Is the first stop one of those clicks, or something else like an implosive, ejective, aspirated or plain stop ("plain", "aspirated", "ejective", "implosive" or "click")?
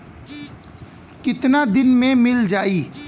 plain